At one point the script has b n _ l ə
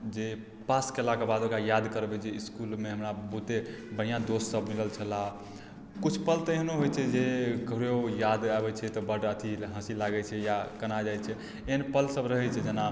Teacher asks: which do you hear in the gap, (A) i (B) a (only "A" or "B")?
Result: A